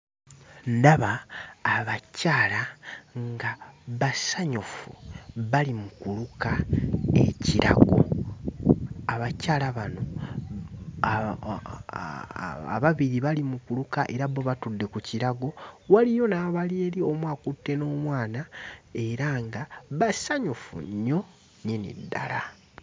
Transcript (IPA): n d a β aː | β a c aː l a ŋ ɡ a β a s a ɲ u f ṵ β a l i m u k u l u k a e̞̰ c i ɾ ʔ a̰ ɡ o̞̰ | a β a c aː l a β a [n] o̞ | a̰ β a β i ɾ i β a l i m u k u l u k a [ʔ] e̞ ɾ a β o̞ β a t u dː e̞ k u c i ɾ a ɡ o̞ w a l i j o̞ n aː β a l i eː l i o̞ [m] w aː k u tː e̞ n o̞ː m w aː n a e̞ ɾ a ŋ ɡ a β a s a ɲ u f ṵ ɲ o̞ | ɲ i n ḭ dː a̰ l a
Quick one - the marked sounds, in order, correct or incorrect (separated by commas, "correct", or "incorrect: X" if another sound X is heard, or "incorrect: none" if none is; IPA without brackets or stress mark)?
correct, correct, correct